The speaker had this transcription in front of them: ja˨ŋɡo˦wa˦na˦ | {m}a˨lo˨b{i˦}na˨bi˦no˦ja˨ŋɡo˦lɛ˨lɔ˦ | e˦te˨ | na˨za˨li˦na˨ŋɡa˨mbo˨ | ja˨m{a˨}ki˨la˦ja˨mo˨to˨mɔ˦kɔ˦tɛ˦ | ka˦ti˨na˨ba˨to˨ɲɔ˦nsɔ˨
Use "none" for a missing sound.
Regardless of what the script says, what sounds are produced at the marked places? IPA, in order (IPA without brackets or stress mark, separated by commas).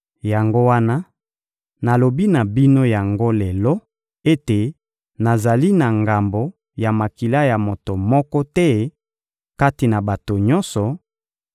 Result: n, i˦, a˨